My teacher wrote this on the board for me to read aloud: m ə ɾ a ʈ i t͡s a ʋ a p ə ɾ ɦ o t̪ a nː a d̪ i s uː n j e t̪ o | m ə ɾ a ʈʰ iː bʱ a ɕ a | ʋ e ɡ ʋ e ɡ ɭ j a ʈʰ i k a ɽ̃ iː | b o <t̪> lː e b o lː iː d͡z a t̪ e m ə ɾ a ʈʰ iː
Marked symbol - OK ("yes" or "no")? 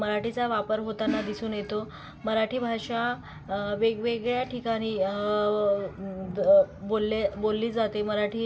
no